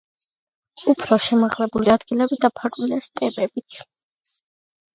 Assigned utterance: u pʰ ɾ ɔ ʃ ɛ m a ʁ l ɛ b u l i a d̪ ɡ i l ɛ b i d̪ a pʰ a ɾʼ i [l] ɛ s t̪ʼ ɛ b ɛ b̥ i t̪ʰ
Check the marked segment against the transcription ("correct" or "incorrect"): correct